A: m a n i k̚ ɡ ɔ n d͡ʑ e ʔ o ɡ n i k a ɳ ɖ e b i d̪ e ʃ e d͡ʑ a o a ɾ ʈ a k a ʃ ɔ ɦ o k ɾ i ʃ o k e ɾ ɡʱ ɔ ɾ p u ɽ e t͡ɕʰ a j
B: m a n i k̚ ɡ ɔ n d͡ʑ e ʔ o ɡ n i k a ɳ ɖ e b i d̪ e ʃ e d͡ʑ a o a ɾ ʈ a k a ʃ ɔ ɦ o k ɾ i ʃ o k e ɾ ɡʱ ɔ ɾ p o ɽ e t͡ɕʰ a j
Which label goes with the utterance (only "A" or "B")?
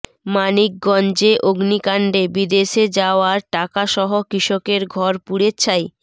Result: A